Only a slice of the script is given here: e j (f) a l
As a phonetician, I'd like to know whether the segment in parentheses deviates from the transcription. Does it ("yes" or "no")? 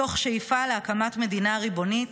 no